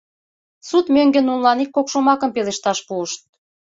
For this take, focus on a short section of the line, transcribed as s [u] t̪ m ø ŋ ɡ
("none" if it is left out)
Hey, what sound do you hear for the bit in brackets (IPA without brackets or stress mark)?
u